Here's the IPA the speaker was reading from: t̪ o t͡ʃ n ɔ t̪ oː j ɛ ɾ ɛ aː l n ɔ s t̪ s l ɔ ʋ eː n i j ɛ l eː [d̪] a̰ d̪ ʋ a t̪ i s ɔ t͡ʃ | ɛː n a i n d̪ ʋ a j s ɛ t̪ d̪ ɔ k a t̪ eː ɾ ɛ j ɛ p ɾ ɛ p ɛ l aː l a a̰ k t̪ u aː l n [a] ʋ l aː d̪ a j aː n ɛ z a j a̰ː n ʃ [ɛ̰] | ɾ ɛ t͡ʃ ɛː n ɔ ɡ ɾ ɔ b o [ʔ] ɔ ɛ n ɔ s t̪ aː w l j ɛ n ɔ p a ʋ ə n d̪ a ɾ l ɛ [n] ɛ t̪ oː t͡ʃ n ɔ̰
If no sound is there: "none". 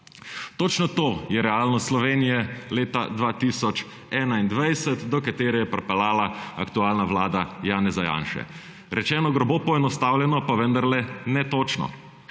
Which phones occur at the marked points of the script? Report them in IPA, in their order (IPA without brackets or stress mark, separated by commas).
t̪, a, ɛ̰, p, n